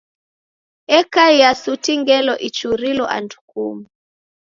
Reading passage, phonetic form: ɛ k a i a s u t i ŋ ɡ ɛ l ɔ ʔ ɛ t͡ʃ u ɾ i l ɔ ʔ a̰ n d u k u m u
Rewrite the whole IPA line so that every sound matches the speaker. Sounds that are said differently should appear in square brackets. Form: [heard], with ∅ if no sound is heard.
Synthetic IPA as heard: ɛ k a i a s u t i ŋ ɡ ɛ l ɔ ʔ [i] t͡ʃ u ɾ i l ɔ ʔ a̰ n d u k u m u

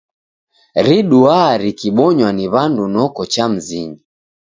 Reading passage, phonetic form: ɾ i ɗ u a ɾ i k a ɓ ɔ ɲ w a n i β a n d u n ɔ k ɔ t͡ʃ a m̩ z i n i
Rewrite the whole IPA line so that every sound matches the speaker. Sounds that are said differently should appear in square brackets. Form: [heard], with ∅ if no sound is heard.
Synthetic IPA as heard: ɾ i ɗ u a ɾ i k [i] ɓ ɔ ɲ w a n i β a n d u n ɔ k ɔ t͡ʃ a m̩ z i [ɲ] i

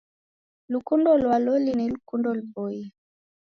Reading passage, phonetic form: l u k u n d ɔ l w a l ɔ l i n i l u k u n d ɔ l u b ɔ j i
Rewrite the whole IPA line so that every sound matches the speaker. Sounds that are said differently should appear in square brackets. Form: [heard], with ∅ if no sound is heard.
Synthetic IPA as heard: l u k u n d ɔ l w a l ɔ l i n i l u k u n d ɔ l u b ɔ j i

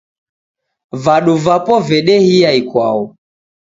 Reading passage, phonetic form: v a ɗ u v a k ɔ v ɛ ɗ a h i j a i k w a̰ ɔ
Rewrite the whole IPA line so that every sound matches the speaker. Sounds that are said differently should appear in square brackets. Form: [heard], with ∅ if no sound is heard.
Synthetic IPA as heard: v a ɗ u v a [p] ɔ v ɛ ɗ [ɛ] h i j a i k w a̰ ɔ

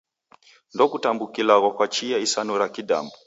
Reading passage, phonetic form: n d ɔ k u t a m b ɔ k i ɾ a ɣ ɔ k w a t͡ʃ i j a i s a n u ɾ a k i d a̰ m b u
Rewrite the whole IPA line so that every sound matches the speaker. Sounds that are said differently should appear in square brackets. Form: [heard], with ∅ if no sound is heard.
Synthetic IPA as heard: n d ɔ k u t a m b [u] k i [l] a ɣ ɔ k w a t͡ʃ i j a i s a n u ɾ a k i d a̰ m b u

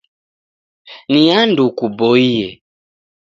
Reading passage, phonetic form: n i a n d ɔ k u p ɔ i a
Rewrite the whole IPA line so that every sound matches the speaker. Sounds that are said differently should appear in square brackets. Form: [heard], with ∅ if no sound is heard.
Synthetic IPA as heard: n i a n d [u] k u [b] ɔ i [ɛ]

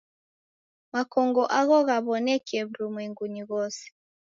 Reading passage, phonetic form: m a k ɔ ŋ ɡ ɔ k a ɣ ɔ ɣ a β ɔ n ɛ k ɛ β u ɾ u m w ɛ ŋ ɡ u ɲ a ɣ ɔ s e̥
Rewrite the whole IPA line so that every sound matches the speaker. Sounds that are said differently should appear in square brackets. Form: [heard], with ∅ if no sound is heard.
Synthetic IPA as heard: m a k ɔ ŋ ɡ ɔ [ʔ] a ɣ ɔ ɣ a β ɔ n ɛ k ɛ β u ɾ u m w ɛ ŋ ɡ u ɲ [i] ɣ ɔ s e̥

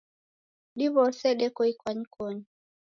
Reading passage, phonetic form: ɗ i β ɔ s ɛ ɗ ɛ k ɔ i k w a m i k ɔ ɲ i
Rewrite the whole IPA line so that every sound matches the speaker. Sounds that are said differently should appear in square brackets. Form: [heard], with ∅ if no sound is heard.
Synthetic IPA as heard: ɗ i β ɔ s ɛ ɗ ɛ k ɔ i k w a [ɲ] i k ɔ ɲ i

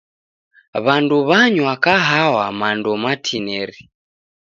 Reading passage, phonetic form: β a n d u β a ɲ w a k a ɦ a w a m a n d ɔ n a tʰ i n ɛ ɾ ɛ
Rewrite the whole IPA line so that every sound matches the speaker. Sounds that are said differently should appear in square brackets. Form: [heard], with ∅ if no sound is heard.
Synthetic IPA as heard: β a n d u β a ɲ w a k a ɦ a w a m a n d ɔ [m] a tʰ i n ɛ ɾ [i]

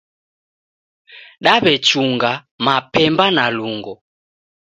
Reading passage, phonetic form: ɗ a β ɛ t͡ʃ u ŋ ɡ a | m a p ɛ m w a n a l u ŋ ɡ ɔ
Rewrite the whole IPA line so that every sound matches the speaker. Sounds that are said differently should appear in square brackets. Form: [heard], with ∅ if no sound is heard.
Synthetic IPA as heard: ɗ a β ɛ t͡ʃ u ŋ ɡ a | m a p ɛ m [b] a n a l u ŋ ɡ ɔ

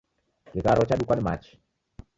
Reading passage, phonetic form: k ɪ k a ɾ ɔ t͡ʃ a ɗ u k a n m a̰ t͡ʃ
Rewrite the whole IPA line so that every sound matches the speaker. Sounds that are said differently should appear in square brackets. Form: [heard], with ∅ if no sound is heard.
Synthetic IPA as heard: k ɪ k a ɾ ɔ t͡ʃ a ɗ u k a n m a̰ t͡ʃ

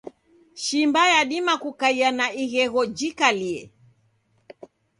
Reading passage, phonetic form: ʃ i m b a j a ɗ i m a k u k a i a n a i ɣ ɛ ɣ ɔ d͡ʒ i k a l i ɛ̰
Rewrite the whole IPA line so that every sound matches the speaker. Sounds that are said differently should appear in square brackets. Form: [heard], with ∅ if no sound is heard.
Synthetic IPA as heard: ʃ i m b a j a ɗ i m a k u k a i a n a i ɣ ɛ ɣ ɔ d͡ʒ i k a l i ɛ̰

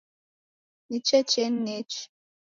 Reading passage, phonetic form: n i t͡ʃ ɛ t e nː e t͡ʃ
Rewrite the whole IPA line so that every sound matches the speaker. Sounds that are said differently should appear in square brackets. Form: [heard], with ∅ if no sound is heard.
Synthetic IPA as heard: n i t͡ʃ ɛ [t͡ʃ] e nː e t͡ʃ

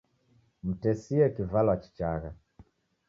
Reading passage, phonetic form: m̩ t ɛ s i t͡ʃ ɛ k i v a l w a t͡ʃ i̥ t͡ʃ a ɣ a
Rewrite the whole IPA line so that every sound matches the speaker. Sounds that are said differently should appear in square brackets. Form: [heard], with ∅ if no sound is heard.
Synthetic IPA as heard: m̩ t ɛ s i [∅] ɛ k i v a l w a t͡ʃ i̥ t͡ʃ a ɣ a

